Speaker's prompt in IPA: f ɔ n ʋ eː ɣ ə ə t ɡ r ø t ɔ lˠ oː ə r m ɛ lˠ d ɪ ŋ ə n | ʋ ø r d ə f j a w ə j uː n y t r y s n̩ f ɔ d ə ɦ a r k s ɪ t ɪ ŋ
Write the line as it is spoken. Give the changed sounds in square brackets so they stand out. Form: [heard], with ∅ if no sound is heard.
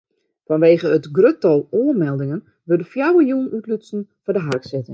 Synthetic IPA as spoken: f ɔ n ʋ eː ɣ ə ə t ɡ r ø t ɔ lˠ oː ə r m ɛ lˠ d ɪ ŋ ə n | ʋ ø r d ə f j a w ə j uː n y t [l] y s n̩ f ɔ d ə ɦ a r k s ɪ t ɪ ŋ